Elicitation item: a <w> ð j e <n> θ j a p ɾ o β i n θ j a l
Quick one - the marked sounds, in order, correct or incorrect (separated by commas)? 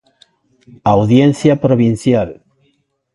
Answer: correct, correct